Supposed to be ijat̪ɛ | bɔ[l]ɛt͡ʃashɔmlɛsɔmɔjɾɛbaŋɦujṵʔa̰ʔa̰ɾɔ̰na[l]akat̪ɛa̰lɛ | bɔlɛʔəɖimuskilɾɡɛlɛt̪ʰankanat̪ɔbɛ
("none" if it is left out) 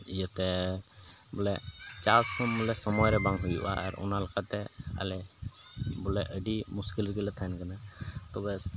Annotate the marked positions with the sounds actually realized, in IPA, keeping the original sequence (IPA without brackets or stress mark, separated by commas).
l, l